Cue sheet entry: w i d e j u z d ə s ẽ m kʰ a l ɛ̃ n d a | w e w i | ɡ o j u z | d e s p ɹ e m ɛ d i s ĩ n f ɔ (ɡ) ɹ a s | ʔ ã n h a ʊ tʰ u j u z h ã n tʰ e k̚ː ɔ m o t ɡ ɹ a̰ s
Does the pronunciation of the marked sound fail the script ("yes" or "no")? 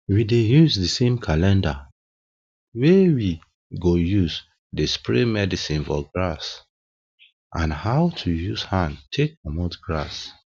no